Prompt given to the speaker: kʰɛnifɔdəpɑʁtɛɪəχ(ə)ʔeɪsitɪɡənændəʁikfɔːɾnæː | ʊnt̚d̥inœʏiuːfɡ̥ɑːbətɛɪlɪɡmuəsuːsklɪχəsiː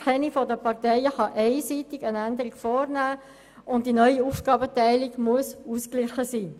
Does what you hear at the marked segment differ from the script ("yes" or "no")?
yes